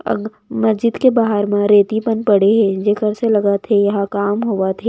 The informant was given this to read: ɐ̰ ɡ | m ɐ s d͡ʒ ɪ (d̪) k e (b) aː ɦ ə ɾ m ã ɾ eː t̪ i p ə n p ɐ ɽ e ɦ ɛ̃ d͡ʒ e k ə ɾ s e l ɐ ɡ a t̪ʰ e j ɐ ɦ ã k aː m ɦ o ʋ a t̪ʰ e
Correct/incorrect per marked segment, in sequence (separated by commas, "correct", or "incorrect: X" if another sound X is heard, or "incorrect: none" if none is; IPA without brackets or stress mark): correct, correct